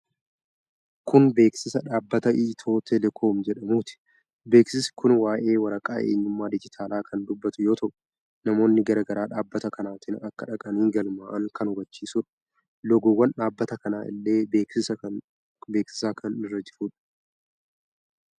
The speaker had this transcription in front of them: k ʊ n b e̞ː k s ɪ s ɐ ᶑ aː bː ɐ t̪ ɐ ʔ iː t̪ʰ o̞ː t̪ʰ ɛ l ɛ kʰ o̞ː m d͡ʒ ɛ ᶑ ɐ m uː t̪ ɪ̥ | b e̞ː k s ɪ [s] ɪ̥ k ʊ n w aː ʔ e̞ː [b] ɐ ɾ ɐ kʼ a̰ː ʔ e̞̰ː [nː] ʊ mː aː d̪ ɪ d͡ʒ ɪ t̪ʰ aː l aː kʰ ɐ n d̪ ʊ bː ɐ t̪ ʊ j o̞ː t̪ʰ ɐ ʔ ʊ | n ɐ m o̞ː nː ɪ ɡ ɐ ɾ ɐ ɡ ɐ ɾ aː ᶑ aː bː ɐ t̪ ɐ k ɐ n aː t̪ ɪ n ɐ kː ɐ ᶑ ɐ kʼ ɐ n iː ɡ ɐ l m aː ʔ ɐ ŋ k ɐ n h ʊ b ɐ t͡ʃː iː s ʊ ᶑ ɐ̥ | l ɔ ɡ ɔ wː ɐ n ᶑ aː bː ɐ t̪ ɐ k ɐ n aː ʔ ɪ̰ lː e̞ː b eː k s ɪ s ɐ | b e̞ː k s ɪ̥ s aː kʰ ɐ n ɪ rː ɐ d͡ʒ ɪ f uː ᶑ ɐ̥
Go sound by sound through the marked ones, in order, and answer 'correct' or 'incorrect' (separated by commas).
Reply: correct, incorrect, incorrect